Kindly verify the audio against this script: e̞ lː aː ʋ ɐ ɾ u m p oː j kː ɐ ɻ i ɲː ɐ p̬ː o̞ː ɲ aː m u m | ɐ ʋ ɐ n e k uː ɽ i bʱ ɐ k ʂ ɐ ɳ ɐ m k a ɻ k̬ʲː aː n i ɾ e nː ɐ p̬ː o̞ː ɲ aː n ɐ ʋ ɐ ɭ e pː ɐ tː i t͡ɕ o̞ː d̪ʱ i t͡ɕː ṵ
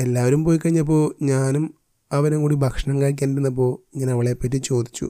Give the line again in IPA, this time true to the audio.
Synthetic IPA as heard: e̞ lː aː ʋ ɐ ɾ u m p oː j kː ɐ ɻ i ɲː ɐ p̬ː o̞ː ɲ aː n u m | ɐ ʋ ɐ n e k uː ɽ i bʱ ɐ k ʂ ɐ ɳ ɐ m k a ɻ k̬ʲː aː n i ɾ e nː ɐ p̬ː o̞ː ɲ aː n ɐ ʋ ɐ ɭ e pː ɐ tː i t͡ɕ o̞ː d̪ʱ i t͡ɕː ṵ